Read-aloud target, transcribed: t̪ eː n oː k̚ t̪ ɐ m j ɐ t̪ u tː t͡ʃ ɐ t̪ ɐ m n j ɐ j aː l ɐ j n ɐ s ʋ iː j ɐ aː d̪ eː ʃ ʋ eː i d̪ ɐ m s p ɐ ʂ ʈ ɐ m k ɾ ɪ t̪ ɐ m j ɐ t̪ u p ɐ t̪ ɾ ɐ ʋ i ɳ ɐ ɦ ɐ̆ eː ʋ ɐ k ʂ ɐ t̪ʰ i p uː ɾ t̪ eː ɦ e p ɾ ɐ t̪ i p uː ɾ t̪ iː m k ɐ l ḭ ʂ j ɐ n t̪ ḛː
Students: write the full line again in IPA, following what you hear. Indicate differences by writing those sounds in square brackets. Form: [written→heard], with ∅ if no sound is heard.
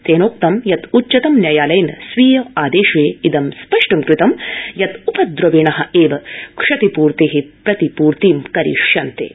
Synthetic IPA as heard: t̪ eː n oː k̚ t̪ ɐ m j ɐ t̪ u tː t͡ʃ ɐ t̪ ɐ m n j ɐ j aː l ɐ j n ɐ s ʋ iː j ɐ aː d̪ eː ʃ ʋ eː i d̪ ɐ m s p ɐ ʂ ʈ ɐ m k ɾ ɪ t̪ ɐ m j ɐ t̪ u p ɐ [t̪→d̪] ɾ ɐ ʋ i ɳ ɐ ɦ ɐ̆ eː ʋ ɐ k ʂ ɐ [t̪ʰ→t̪] i p uː ɾ t̪ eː ɦ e p ɾ ɐ t̪ i p uː ɾ t̪ iː m k ɐ [l→ɾ] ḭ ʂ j ɐ n t̪ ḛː